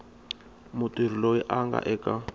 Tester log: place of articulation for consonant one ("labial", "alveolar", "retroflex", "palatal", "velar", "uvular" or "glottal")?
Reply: labial